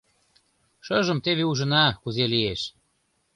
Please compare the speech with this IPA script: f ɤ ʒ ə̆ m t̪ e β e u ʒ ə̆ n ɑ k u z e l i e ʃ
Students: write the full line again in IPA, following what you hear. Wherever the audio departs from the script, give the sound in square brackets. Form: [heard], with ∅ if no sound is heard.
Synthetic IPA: [ʃ] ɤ ʒ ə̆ m t̪ e β e u ʒ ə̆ n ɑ k u z e l i e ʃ